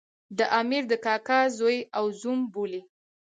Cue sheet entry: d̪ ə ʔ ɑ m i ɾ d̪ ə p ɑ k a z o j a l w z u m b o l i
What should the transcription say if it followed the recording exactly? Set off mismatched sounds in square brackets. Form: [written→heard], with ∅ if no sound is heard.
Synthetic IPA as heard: d̪ ə ʔ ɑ m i ɾ d̪ ə [p→k] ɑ k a z o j a [l→∅] w z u m b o l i